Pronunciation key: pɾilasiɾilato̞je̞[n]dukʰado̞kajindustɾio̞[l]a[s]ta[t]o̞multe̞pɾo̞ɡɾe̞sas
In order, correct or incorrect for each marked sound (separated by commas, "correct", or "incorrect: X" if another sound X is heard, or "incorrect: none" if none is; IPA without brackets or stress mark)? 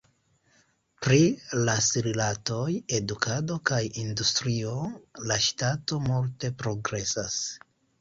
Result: incorrect: none, correct, incorrect: ʃ, correct